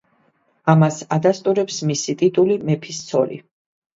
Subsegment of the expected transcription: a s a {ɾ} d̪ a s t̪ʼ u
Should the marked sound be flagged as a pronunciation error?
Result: yes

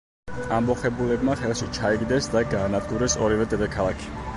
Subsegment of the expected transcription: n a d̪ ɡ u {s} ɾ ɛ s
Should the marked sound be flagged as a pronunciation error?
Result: yes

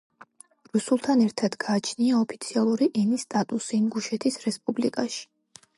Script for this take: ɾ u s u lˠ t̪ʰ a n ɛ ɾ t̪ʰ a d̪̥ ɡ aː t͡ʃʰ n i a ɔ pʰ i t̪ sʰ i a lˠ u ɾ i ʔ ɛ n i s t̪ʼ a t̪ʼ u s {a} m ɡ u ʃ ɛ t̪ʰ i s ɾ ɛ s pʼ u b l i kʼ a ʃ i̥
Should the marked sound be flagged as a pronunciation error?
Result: yes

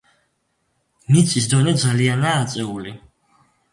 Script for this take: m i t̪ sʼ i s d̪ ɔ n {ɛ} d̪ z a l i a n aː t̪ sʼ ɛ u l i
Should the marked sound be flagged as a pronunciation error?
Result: no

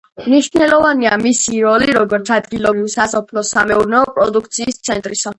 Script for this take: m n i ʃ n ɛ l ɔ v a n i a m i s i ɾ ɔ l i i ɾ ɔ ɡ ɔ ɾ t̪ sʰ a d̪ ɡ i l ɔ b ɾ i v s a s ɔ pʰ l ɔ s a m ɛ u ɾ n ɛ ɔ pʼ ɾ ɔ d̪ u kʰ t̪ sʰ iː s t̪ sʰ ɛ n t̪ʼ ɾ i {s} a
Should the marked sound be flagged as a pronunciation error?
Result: no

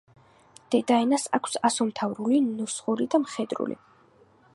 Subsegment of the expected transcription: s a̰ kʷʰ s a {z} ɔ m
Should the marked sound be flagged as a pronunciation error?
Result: yes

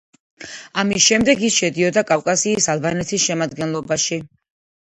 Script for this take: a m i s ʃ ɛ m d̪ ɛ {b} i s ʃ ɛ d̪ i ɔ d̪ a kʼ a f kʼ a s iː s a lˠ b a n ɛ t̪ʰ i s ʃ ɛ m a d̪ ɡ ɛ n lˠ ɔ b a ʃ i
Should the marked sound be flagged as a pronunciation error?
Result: yes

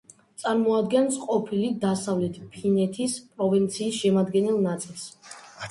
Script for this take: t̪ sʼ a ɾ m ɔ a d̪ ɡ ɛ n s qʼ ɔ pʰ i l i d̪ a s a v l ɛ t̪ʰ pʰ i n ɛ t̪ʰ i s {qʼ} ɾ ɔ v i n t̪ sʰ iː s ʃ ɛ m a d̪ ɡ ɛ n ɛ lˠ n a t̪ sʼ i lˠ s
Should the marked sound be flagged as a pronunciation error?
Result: yes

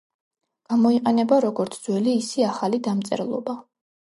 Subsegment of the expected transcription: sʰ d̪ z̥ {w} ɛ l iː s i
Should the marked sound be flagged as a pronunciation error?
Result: no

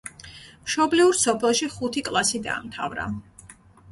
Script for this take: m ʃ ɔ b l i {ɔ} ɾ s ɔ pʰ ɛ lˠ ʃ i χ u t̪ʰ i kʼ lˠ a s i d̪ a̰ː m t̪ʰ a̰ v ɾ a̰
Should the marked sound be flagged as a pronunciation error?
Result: yes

